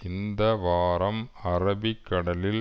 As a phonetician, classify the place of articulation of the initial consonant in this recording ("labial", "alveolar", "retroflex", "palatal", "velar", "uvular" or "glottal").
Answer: alveolar